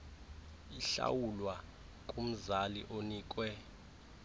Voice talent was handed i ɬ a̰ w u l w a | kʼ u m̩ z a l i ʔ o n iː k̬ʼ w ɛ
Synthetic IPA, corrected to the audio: i ɬ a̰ w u l w a | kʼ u m̩ z a l i ʔ o n iː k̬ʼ w ɛ